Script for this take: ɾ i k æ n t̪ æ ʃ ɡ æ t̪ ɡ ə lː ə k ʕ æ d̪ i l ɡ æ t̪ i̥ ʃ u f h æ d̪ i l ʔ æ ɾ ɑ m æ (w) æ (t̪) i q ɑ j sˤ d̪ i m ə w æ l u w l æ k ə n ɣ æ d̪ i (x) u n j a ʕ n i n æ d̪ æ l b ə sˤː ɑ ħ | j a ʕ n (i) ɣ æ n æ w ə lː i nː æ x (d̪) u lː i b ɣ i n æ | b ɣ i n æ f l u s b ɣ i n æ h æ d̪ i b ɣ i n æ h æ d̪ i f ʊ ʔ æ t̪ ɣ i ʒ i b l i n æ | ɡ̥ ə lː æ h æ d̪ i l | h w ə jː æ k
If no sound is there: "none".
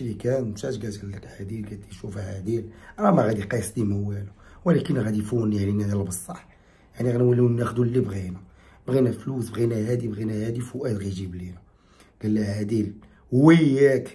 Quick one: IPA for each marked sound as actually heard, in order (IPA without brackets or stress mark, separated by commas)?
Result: ɣ, d̪, f, i, d̪